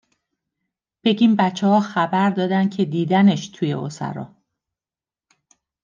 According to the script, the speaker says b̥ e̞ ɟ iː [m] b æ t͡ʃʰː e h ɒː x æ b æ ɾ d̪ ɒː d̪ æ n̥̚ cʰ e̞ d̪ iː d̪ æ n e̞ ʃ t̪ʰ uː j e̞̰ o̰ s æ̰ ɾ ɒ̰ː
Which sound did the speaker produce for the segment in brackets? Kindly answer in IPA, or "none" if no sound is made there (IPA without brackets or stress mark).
m